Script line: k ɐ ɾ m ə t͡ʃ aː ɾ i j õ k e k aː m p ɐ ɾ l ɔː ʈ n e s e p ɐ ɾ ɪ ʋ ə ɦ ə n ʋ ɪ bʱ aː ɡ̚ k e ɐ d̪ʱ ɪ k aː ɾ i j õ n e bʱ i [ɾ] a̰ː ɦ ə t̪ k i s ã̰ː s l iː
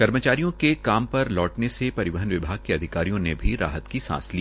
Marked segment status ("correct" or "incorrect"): correct